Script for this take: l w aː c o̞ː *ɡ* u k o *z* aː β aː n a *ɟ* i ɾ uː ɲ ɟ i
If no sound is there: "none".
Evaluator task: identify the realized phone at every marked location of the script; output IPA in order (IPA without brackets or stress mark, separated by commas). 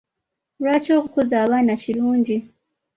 k, z, c